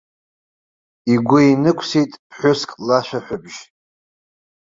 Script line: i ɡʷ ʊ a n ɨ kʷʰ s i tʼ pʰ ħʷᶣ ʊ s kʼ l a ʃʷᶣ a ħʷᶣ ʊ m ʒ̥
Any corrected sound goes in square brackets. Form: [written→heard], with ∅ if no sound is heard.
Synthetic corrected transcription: i ɡʷ ʊ [a→i] n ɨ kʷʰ s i tʼ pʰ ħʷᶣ ʊ s kʼ l a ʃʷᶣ a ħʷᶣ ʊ [m→b] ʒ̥